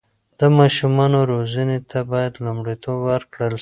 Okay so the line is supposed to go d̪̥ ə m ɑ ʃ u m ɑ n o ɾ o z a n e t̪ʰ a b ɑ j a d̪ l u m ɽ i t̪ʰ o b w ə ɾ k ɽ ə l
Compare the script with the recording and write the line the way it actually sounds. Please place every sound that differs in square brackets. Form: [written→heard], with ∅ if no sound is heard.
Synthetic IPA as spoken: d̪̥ ə m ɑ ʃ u m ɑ n o ɾ o z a n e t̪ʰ a b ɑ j a d̪ l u m ɽ i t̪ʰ o b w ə ɾ k ɽ ə l